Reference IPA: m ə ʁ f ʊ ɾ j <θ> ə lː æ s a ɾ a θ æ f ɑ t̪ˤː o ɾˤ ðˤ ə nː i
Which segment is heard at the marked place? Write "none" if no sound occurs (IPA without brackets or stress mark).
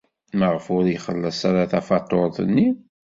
χ